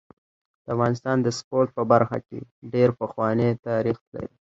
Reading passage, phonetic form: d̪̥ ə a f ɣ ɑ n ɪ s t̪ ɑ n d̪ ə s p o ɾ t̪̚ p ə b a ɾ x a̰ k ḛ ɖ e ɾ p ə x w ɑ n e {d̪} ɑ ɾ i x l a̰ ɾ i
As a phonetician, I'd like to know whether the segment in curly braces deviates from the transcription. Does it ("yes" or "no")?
yes